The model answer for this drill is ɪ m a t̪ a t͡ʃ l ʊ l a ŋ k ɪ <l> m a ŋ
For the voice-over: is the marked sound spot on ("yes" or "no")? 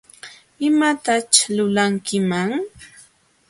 no